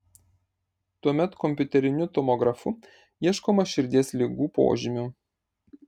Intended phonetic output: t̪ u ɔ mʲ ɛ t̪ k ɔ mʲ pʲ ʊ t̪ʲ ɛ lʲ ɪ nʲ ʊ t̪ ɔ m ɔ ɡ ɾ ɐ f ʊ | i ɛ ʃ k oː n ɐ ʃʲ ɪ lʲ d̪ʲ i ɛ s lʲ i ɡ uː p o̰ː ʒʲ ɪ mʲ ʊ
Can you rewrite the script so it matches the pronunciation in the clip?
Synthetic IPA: t̪ u ɔ mʲ ɛ t̪ k ɔ mʲ pʲ ʊ t̪ʲ ɛ ɾʲ ɪ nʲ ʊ t̪ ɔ m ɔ ɡ ɾ ɐ f ʊ | i ɛ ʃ k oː m ɐ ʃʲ ɪ ɾʲ d̪ʲ i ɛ s lʲ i ɡ uː p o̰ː ʒʲ ɪ mʲ ʊ